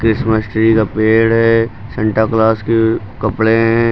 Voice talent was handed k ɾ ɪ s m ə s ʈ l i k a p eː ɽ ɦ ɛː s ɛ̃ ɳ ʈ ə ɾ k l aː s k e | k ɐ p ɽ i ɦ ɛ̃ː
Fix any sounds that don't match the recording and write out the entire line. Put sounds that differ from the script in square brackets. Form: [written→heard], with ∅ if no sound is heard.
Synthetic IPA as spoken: k ɾ ɪ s m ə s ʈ [l→ɾ] i k a p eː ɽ ɦ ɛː s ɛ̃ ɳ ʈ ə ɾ k l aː s k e | k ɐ p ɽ [i→e] ɦ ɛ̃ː